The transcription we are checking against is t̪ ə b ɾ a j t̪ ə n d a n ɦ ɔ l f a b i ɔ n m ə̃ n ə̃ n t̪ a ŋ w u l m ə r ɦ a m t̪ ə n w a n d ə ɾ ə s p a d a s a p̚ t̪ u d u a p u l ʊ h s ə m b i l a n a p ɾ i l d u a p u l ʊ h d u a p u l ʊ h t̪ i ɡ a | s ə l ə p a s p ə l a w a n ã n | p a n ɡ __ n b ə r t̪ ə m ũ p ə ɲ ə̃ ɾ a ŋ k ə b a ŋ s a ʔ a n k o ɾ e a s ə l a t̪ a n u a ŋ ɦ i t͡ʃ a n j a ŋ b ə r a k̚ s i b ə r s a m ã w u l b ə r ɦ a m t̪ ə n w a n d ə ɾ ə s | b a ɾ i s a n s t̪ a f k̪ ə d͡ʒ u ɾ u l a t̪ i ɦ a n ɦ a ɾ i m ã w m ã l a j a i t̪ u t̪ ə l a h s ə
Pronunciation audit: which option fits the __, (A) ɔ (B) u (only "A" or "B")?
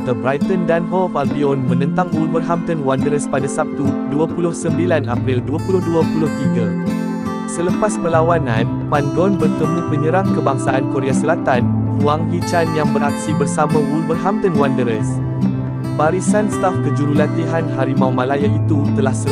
A